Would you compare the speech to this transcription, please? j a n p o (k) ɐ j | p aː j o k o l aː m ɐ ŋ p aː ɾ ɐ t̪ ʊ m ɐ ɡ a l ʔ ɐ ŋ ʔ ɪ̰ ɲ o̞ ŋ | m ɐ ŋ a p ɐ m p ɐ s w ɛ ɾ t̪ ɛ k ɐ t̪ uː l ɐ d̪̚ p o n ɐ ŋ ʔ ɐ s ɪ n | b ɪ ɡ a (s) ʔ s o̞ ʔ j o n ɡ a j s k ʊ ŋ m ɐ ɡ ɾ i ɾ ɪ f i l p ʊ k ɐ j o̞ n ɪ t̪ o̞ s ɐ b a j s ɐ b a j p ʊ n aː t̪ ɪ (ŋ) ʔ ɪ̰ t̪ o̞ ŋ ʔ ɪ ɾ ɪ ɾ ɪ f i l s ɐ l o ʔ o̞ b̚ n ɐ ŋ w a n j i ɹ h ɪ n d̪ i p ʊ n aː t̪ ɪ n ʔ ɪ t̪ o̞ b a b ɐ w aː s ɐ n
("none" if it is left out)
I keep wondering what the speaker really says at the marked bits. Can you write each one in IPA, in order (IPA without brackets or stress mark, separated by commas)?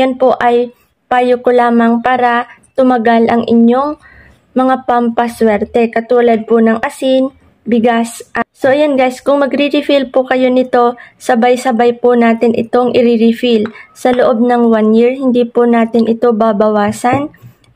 ʔ, s, n